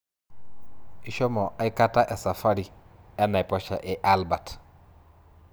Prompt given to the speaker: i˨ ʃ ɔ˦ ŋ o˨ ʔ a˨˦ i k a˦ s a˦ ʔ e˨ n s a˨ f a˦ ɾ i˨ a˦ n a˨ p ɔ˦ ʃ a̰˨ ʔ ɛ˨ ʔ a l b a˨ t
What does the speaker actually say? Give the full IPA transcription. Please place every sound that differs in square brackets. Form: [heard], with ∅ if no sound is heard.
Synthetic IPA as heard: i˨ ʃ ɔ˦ [m] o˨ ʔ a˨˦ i k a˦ [t] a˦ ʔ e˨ [∅] s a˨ f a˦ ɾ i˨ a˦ n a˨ p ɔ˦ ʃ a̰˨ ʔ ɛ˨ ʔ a l b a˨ t

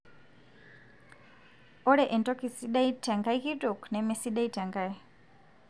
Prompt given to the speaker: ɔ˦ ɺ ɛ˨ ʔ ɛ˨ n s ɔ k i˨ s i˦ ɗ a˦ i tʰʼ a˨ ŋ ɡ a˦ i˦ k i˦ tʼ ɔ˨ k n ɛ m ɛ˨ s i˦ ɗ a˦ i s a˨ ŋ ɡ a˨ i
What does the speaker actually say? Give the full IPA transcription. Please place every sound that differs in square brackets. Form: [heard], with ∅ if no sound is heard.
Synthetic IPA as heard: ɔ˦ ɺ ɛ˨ ʔ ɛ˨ n [t] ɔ k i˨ s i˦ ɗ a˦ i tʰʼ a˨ ŋ ɡ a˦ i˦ k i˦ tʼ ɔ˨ k n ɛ m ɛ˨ s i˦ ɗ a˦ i [t] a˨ ŋ ɡ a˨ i

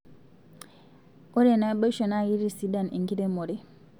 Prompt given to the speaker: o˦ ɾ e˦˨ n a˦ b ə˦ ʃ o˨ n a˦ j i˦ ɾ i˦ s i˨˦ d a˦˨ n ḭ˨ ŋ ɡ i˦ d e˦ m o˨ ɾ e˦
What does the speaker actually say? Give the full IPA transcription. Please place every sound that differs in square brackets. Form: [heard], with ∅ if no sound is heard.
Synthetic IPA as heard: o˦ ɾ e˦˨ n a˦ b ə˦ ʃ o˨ n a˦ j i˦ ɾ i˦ s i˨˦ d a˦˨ n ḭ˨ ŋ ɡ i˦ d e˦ m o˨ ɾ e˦

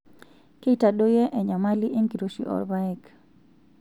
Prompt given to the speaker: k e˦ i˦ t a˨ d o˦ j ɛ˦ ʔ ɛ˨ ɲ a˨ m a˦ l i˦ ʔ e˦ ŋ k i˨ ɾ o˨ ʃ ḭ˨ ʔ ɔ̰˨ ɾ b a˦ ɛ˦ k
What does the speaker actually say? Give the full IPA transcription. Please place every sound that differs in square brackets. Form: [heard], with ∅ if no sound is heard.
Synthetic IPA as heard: k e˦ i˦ t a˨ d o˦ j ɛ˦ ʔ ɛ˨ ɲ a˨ m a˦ l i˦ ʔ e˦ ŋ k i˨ ɾ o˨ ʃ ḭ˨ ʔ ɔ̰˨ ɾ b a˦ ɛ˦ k

